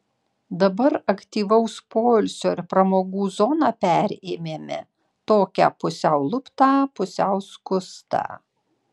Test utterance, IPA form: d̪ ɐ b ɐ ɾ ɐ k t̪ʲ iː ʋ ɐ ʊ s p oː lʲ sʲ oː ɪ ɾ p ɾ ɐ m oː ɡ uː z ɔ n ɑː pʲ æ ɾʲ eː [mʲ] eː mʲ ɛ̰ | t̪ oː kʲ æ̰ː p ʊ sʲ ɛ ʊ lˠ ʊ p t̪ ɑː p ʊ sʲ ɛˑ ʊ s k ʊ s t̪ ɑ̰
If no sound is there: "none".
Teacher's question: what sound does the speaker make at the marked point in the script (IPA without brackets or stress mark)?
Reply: mʲ